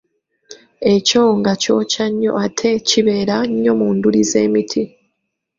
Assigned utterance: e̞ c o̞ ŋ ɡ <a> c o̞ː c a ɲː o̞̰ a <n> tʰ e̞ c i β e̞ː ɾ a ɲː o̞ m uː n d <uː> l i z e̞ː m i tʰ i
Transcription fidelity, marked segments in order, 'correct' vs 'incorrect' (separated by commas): correct, incorrect, incorrect